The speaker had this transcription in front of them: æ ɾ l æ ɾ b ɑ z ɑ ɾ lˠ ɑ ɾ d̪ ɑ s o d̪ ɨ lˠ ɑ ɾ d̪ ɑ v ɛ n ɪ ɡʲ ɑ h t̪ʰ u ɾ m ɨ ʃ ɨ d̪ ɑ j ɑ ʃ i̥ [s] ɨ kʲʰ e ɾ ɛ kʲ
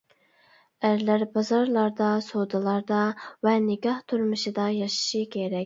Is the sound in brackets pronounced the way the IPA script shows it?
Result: no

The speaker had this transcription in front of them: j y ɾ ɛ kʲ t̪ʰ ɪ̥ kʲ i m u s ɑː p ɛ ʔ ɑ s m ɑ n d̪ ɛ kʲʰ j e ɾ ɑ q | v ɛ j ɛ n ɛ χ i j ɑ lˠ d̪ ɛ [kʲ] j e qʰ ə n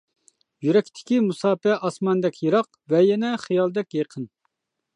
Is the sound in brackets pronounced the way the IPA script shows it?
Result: yes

